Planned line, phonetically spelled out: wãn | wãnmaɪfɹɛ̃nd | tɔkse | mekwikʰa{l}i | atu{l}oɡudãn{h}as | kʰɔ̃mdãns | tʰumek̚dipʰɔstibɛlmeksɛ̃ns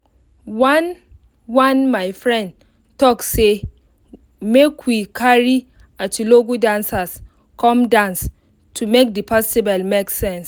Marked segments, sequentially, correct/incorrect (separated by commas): incorrect, correct, incorrect